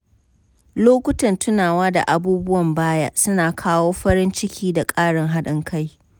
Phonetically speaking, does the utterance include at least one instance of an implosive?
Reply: yes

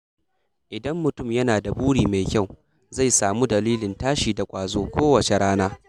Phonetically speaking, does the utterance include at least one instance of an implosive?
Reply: no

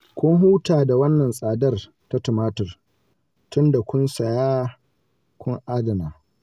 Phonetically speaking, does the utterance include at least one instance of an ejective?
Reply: yes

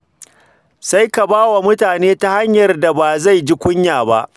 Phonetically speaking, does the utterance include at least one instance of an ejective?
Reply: no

